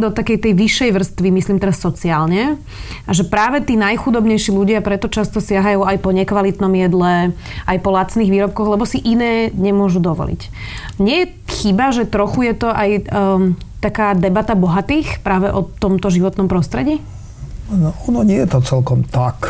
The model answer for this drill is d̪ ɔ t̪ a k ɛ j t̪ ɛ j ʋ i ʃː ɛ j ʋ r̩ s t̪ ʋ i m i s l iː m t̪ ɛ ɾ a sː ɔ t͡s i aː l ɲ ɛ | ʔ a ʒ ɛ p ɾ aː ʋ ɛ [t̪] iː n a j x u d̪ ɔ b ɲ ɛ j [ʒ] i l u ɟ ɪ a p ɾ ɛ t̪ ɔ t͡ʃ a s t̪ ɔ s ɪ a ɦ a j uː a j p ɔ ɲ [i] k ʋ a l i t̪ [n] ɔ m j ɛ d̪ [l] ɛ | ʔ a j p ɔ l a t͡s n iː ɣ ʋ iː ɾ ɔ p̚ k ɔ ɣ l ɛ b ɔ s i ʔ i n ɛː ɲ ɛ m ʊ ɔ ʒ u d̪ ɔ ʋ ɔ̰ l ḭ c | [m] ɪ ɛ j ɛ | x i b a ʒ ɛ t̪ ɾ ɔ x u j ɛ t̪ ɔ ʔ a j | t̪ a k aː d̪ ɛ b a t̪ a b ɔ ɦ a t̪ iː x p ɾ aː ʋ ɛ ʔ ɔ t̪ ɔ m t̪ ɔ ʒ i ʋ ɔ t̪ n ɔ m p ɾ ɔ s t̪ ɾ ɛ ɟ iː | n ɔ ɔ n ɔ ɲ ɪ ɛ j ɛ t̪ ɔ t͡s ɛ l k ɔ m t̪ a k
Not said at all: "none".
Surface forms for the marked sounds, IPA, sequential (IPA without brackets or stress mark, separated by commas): t̪, ʃ, ɛ, n, l, ɲ